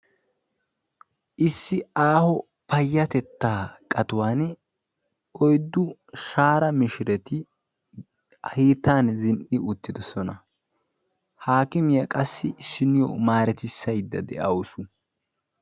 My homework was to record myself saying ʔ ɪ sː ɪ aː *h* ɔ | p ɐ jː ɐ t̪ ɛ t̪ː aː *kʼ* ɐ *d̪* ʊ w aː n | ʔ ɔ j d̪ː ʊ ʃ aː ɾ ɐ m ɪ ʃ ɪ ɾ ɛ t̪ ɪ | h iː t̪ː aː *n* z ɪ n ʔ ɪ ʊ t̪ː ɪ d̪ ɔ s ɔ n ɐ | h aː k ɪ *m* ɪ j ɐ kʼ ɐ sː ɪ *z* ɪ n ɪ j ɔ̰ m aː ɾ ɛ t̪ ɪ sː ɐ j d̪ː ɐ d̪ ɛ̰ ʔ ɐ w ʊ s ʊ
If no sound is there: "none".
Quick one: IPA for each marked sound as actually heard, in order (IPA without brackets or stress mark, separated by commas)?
h, kʼ, t̪, n, m, s